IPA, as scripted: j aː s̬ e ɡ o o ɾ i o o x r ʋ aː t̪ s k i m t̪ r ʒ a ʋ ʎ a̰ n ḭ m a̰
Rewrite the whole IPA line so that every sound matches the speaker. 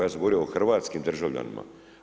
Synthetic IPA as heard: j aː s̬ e ɡ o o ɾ i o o x r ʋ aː t̪ s k i m d̪ r ʒ a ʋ ʎ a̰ n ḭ m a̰